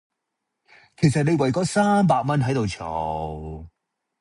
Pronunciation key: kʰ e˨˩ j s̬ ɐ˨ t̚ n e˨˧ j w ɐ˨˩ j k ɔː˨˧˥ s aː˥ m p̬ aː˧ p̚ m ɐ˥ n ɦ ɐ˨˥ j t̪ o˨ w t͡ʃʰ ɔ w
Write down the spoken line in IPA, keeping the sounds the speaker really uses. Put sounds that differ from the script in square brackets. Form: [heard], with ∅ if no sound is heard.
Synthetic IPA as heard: kʰ e˨˩ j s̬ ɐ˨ t̚ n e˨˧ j w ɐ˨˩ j k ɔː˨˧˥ s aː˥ m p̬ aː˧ [k̚] m ɐ˥ n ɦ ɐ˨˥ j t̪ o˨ w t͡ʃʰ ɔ w